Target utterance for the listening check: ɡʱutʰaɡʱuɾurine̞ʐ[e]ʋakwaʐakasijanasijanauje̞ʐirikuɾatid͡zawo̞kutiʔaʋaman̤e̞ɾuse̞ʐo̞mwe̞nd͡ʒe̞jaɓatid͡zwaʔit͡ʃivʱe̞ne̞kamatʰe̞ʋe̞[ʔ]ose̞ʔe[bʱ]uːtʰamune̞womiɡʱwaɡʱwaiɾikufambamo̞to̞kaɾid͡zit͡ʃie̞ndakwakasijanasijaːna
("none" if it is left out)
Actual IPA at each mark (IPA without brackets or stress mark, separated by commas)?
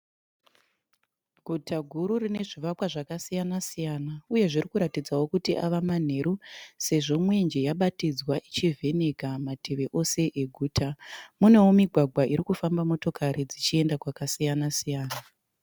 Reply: i, ʔ, ɡʱ